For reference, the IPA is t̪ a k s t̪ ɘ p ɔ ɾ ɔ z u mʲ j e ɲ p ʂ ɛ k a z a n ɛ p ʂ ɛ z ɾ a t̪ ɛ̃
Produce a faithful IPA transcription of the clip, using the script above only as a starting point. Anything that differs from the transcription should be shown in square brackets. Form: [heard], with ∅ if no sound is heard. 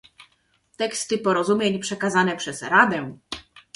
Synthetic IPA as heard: t̪ [ɛ] k s t̪ ɘ p ɔ ɾ ɔ z u mʲ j e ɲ p ʂ ɛ k a z a n ɛ p ʂ ɛ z ɾ a [d̪] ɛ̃